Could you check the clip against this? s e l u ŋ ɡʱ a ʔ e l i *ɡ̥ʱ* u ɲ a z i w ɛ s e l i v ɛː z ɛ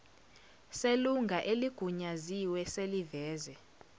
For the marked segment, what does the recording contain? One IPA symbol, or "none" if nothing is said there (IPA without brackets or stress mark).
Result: ɡ̥ʱ